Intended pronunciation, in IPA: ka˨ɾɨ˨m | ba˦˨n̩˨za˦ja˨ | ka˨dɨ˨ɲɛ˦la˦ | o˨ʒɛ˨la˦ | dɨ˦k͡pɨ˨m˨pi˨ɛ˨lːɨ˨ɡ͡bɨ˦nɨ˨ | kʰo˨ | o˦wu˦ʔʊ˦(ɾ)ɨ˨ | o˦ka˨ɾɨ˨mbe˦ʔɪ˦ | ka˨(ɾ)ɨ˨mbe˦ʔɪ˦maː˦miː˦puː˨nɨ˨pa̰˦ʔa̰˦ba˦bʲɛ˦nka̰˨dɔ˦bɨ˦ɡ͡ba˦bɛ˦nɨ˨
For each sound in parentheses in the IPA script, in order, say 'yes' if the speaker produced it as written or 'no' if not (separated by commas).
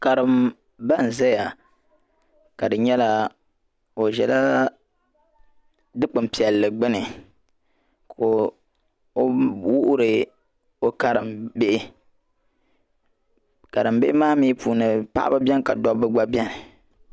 yes, yes